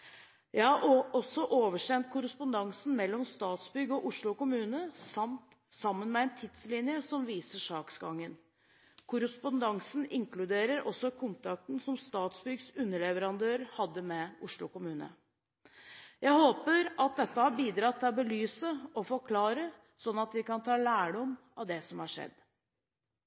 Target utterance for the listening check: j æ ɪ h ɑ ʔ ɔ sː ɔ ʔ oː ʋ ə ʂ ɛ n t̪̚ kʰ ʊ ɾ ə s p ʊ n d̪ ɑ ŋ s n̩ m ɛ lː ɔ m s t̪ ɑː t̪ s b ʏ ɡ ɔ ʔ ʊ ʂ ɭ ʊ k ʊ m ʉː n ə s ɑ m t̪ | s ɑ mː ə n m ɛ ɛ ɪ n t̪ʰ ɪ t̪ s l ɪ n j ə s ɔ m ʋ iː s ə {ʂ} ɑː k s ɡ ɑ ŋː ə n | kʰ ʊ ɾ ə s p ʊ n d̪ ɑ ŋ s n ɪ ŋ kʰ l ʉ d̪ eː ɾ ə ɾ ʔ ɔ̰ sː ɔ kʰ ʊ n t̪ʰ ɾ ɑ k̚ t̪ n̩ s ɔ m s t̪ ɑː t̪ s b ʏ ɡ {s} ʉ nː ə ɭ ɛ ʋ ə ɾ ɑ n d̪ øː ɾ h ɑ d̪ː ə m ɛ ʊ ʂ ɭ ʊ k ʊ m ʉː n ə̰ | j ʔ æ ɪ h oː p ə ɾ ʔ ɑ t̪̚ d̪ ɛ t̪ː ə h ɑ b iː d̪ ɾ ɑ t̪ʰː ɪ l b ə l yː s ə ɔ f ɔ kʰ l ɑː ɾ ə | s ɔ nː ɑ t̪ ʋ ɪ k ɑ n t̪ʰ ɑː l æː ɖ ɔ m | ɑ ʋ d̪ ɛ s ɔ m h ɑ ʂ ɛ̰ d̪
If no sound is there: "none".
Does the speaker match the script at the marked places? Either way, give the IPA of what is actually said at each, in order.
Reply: ʂ, s

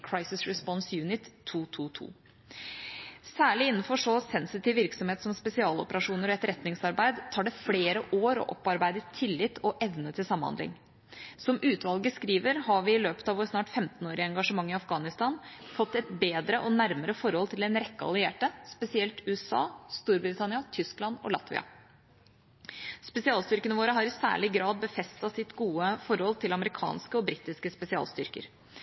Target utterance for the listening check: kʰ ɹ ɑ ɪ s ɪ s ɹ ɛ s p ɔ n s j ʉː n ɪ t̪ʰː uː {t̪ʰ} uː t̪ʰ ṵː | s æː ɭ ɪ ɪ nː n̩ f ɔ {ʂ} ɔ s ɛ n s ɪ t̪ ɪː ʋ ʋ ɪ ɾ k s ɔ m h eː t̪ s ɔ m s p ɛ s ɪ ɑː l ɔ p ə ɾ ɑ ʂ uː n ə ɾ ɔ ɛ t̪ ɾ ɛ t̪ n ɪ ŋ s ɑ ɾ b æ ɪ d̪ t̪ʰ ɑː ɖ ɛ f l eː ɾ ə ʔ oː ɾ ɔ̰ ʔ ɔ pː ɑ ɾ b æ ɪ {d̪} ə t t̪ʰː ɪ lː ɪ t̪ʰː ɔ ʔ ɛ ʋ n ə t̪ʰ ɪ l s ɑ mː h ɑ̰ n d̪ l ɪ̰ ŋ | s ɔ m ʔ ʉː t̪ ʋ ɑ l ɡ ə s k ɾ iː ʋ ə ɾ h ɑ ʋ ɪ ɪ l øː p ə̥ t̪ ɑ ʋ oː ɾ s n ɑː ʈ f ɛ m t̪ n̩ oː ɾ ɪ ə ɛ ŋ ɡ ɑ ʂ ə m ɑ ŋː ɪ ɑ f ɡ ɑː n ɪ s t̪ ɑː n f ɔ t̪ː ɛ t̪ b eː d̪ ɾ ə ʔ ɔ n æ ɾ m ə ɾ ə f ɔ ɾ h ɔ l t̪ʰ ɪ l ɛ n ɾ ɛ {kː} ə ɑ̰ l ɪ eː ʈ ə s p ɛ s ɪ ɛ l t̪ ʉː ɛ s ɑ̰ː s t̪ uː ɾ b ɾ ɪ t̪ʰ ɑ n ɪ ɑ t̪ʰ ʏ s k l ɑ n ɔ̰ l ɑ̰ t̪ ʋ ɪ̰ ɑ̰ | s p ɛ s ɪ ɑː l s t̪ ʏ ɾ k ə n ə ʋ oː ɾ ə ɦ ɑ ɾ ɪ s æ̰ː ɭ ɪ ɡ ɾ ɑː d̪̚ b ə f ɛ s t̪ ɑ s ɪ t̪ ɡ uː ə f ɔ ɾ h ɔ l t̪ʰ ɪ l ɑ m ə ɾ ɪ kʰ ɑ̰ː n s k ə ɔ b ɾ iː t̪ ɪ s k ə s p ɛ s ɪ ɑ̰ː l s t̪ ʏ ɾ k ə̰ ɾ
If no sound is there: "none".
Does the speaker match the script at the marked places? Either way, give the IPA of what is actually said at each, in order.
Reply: t̪ʰ, ʂ, d̪, kː

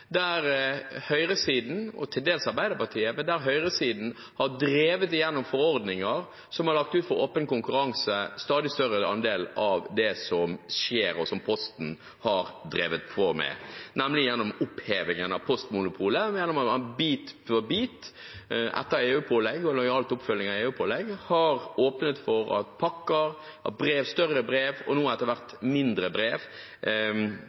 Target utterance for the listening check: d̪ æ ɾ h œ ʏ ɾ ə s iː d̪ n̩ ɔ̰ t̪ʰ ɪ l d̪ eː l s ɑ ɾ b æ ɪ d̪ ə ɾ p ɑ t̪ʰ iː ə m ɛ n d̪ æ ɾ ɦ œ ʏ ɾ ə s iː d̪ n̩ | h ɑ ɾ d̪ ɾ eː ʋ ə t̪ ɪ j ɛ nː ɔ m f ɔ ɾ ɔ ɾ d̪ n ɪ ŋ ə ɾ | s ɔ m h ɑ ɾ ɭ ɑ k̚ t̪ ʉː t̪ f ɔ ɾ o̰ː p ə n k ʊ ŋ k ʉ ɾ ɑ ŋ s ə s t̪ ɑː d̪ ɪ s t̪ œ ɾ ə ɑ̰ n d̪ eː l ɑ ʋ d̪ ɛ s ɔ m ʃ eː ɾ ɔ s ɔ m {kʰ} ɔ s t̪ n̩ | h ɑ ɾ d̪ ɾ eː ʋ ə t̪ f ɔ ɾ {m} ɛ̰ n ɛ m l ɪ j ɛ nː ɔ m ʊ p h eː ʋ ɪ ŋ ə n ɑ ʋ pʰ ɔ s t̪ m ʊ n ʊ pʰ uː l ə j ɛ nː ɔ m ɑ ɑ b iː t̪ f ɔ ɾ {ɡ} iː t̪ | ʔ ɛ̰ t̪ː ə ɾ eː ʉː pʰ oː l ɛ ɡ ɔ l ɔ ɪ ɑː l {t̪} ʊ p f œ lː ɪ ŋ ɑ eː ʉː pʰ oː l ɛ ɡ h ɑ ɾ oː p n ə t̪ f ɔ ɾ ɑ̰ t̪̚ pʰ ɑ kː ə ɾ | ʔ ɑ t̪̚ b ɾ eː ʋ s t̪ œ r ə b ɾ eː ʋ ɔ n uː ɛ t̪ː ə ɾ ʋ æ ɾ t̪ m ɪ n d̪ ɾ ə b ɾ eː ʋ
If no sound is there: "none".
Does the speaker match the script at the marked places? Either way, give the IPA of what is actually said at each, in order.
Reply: pʰ, m, b, t̪

